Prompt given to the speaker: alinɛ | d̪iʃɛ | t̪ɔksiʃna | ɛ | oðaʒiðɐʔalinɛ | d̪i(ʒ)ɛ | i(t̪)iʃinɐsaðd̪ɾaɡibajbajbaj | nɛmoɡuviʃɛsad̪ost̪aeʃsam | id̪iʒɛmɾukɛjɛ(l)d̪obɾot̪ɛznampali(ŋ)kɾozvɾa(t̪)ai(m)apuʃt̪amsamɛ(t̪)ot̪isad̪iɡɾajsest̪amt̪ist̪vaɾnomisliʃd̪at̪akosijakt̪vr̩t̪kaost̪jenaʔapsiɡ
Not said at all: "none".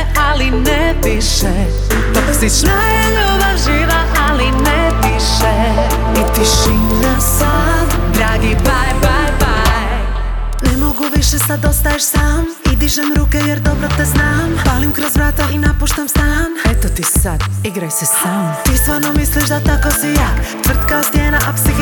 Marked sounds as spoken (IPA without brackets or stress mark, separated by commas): ʃ, t̪, ɾ, m, t̪, n, t̪